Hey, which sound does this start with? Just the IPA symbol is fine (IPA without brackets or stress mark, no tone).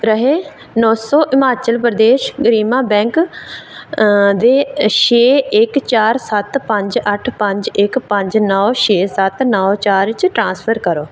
ɾ